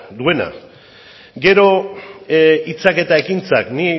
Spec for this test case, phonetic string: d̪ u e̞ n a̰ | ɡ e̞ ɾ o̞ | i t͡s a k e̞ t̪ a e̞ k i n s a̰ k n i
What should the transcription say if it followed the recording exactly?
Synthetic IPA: d̪ u e̞ n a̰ | ɡ e̞ ɾ o̞ | i t͡s a k e̞ t̪ a e̞ k i n t͡s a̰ k n i